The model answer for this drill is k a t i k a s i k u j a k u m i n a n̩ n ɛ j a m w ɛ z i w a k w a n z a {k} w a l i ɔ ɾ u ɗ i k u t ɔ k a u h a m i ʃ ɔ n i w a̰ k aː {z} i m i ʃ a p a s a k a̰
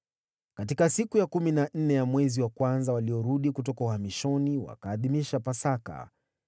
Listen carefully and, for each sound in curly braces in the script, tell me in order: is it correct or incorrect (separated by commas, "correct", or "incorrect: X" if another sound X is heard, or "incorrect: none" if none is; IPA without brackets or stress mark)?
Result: incorrect: none, incorrect: ð